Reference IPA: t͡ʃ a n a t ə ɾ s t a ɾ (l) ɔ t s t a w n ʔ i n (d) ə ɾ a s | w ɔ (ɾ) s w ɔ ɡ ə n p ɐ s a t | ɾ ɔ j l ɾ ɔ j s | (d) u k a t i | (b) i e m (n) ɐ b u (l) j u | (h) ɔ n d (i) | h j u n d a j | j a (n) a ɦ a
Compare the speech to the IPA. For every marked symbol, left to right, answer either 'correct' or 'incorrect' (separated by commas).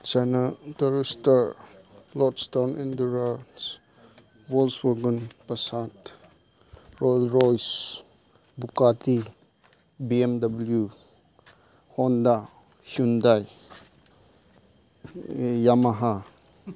correct, correct, incorrect, incorrect, correct, incorrect, correct, correct, incorrect, incorrect